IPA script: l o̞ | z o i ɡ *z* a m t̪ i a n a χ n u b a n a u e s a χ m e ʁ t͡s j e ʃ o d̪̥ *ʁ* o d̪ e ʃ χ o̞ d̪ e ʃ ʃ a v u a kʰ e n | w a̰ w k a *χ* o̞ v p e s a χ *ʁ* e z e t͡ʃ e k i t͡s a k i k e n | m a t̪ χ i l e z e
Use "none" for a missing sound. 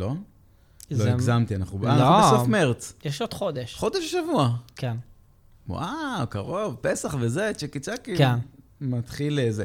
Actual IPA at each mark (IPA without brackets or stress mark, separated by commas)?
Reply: z, χ, ʁ, v